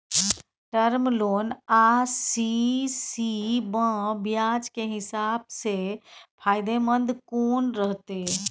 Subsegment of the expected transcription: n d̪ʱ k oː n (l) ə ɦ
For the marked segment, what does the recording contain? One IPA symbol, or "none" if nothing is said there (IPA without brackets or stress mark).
ɾ